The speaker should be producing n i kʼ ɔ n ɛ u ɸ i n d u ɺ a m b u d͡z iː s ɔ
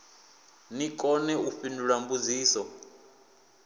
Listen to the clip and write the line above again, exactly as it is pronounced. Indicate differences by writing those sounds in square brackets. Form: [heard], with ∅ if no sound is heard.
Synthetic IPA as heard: n i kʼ ɔ n ɛ u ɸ i n d u ɺ a m b u d͡z iː s ɔ